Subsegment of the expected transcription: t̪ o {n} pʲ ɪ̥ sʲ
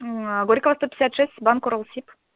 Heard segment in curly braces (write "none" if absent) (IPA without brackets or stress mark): none